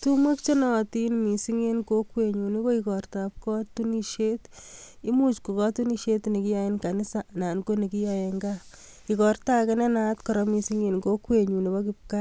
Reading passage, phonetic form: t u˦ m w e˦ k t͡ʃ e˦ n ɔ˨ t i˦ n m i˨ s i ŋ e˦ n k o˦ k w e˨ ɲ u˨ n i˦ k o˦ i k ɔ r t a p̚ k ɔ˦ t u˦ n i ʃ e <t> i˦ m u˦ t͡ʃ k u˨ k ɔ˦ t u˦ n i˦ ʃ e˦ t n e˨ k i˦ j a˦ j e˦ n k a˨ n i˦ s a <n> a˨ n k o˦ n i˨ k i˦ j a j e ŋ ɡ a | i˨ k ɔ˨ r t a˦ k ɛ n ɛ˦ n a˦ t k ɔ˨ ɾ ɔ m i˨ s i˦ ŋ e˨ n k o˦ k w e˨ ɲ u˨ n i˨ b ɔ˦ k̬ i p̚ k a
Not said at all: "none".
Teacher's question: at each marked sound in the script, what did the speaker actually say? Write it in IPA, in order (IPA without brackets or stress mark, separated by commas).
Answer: t, n